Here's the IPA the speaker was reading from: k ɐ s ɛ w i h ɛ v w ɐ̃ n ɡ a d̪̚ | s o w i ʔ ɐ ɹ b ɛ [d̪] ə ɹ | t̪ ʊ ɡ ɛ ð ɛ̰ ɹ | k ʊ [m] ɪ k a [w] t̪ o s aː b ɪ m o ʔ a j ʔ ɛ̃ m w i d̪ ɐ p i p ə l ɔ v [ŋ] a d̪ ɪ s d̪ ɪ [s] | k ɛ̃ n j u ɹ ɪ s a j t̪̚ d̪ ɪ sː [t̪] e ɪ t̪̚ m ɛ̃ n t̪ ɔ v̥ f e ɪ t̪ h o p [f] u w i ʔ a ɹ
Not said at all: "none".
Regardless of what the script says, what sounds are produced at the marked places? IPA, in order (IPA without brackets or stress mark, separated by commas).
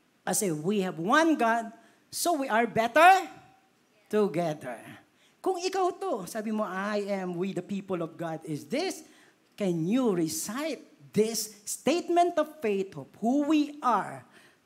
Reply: t̪, ŋ, w, ɡ, s, t̪, h